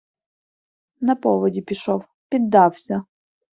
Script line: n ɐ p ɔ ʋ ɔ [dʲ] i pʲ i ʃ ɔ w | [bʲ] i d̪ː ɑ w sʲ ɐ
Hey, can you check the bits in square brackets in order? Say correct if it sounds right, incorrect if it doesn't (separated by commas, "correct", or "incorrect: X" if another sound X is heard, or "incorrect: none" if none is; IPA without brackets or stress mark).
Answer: correct, incorrect: pʲ